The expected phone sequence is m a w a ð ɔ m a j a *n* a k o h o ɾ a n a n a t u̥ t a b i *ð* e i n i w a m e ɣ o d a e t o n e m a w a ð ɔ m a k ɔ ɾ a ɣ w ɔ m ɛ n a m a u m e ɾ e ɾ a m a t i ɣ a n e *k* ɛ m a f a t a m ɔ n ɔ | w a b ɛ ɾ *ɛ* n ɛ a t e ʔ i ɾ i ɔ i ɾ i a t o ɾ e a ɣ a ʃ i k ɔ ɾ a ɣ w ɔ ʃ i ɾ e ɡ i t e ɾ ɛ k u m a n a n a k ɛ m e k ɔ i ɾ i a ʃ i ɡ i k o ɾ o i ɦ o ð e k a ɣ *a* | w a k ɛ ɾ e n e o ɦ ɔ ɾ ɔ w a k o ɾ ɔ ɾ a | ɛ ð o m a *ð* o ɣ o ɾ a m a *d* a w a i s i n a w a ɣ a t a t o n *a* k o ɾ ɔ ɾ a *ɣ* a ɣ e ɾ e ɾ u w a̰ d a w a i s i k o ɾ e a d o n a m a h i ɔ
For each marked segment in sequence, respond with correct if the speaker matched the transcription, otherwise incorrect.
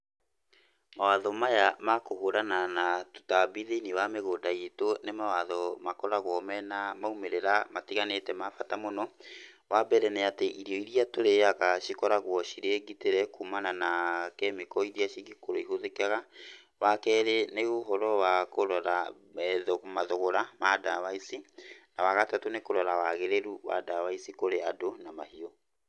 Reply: incorrect: m, correct, incorrect: t, correct, correct, correct, correct, incorrect: e, incorrect: w

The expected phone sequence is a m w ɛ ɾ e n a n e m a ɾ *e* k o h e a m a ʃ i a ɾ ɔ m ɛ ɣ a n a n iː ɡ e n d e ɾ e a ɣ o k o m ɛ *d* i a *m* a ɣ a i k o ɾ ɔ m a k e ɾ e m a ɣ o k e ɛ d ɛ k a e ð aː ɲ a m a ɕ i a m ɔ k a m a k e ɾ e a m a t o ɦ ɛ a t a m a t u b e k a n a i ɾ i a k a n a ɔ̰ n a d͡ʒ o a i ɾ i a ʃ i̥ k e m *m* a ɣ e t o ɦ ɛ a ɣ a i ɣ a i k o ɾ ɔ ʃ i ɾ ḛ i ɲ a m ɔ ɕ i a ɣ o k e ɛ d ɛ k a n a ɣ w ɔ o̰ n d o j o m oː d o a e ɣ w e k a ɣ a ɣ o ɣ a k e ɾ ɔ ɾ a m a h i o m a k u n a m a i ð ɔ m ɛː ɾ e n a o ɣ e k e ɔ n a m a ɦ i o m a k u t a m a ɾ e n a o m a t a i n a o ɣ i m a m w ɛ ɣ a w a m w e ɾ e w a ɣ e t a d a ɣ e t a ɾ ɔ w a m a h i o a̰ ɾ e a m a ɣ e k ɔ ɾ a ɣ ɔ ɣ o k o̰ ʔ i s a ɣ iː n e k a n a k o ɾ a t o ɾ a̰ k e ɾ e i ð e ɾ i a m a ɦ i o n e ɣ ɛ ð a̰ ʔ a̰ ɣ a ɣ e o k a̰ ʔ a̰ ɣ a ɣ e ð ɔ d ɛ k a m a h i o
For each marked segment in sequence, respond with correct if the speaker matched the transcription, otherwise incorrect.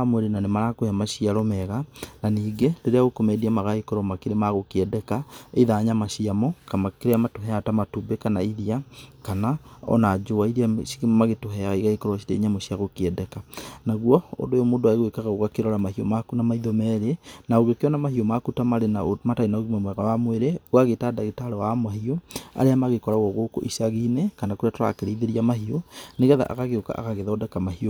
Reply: incorrect: a, correct, correct, correct

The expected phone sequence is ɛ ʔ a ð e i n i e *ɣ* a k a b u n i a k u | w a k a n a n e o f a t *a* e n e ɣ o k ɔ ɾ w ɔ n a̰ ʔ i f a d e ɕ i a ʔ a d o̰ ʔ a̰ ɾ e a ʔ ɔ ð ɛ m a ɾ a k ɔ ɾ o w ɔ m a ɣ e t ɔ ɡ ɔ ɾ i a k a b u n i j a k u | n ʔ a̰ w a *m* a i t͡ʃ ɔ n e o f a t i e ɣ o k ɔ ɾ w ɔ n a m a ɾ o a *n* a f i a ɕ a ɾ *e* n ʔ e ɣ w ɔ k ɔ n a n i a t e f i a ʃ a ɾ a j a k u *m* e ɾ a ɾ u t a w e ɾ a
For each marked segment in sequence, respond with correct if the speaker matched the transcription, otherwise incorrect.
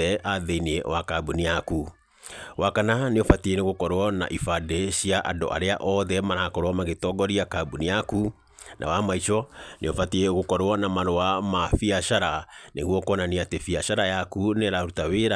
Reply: incorrect: w, incorrect: i, correct, incorrect: m, incorrect: a, incorrect: n

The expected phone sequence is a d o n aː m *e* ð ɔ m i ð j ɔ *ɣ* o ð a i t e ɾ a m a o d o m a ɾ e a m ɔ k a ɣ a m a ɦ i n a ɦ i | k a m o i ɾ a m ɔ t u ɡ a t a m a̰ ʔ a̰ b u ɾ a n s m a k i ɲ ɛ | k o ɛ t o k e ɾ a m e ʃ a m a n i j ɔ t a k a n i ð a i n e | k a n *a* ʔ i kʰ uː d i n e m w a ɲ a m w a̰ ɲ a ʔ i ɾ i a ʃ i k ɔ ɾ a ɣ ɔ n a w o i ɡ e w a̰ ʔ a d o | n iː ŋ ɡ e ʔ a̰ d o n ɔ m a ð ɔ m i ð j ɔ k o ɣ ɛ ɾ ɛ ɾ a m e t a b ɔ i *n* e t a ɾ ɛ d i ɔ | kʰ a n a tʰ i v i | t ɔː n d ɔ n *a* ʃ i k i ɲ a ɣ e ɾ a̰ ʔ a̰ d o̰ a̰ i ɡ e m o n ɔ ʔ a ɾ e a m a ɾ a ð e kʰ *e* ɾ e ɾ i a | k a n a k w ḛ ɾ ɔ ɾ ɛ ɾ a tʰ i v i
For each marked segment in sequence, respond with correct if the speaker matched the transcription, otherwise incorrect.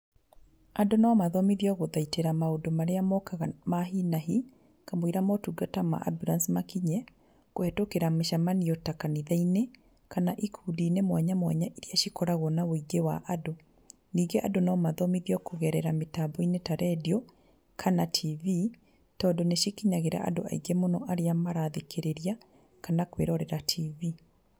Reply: incorrect: a, correct, correct, correct, incorrect: e, correct

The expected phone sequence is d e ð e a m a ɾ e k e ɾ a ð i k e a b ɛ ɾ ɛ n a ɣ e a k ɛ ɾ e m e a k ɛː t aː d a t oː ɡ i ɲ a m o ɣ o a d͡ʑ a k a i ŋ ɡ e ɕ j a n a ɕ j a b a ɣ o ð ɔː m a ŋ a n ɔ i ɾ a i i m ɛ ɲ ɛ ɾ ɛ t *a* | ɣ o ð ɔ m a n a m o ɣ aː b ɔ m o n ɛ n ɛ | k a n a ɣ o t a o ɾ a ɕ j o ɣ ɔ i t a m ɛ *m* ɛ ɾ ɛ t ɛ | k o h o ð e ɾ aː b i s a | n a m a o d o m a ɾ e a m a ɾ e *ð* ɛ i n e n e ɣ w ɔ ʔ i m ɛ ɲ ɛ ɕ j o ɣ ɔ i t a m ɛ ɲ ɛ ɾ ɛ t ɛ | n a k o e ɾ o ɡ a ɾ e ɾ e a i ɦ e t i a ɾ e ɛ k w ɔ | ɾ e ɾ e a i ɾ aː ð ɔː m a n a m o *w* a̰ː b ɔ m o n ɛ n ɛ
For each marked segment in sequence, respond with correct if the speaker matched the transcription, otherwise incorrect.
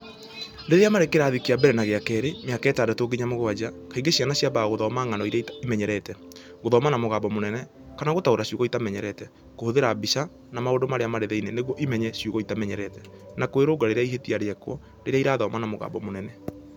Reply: incorrect: ɛ, incorrect: ɲ, correct, incorrect: ɣ

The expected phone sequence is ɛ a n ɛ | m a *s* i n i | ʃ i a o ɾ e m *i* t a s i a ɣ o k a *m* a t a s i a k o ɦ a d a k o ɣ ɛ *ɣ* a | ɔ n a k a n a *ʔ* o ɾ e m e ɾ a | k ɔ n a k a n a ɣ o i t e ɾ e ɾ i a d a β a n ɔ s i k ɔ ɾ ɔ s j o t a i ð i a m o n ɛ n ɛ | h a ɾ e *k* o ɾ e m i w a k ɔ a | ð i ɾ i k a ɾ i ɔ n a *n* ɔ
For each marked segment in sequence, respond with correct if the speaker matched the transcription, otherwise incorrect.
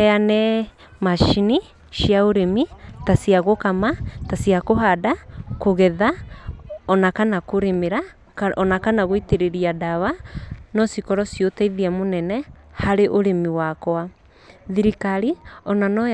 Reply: incorrect: ʃ, correct, correct, incorrect: ð, incorrect: k, incorrect: ʔ, correct

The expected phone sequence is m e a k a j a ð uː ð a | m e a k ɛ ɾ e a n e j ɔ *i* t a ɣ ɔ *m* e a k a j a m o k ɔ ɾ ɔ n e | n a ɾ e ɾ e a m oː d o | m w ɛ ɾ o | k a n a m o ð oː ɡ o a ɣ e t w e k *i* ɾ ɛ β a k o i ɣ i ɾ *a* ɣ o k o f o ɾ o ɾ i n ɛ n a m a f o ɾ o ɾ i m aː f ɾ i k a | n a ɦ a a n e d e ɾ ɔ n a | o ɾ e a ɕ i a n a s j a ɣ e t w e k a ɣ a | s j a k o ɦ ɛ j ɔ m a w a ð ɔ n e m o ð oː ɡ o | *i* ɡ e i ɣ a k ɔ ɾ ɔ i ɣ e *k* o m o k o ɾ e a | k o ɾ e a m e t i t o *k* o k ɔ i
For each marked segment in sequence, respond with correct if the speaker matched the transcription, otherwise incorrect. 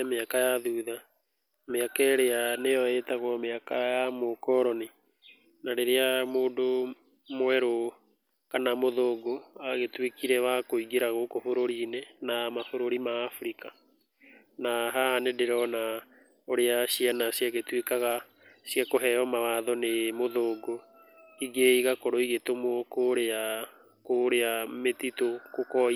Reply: incorrect: e, correct, correct, correct, correct, incorrect: t, correct

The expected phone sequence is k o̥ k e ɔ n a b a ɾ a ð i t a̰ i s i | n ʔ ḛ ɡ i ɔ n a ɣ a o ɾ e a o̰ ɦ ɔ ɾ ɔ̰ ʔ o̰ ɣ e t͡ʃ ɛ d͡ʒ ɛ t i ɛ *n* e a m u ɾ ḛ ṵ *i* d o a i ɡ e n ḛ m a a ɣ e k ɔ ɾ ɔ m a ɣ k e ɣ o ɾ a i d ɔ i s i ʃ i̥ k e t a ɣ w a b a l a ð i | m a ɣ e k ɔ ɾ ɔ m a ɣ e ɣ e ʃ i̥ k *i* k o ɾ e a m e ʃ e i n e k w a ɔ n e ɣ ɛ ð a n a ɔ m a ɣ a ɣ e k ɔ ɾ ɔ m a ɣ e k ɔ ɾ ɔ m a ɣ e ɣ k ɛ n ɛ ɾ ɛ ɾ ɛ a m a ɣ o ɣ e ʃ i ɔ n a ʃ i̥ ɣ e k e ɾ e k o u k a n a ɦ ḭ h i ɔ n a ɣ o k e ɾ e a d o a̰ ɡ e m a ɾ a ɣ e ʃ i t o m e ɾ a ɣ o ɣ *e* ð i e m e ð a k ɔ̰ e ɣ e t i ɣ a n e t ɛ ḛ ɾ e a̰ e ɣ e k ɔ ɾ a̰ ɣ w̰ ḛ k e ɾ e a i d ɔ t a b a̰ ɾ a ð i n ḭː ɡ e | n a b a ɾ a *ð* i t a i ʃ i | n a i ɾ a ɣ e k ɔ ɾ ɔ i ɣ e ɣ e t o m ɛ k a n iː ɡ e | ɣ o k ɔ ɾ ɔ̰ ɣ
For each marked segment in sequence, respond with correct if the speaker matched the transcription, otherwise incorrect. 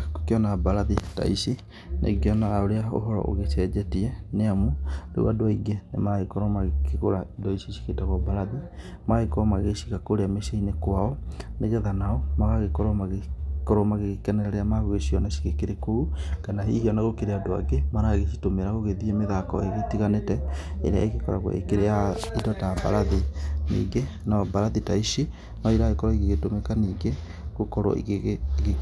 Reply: correct, incorrect: a, incorrect: a, correct, correct

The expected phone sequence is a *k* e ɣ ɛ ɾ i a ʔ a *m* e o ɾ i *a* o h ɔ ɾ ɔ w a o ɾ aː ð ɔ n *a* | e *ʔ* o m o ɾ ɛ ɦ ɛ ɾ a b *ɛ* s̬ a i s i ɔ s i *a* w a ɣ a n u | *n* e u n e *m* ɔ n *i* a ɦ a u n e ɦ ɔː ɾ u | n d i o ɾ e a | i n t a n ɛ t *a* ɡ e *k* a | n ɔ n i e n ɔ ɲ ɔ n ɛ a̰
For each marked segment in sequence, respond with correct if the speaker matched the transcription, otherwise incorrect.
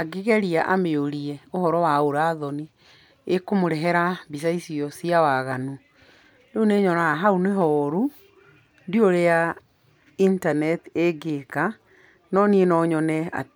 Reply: incorrect: ɡ, correct, incorrect: ɛ, incorrect: i, incorrect: k, incorrect: i, correct, correct, incorrect: ɲ, incorrect: a, incorrect: e, correct

